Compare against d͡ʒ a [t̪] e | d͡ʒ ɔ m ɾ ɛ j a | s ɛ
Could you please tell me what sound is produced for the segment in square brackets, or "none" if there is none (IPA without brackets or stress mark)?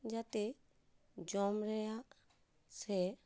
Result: t̪